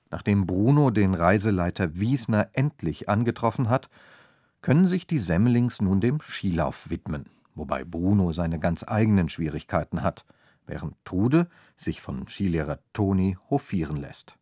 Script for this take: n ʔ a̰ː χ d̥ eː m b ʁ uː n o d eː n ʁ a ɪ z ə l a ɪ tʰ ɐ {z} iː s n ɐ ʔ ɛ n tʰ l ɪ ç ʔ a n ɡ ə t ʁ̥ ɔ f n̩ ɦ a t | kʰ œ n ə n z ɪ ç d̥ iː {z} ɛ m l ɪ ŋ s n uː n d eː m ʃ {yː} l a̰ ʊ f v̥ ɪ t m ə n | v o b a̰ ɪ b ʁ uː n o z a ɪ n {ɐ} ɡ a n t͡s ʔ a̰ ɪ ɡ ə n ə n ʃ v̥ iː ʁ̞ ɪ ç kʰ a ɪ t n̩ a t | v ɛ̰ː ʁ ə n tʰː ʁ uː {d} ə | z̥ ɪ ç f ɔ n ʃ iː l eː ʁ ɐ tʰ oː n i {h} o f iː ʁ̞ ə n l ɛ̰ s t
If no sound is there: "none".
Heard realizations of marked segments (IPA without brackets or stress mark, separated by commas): v, z, iː, ə, d, h